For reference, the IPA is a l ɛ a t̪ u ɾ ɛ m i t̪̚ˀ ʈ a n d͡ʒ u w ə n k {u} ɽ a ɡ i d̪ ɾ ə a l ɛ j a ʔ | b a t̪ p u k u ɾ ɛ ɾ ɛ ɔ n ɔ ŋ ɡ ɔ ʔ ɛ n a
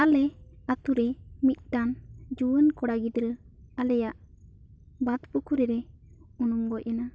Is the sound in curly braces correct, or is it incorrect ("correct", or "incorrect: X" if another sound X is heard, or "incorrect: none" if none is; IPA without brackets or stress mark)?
incorrect: ɔ